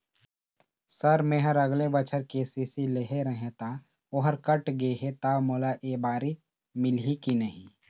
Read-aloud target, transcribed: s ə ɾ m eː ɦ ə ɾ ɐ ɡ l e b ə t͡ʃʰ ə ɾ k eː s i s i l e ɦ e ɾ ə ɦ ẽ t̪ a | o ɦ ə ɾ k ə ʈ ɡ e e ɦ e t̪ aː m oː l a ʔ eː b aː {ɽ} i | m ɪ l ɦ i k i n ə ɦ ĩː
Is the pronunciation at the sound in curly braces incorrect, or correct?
incorrect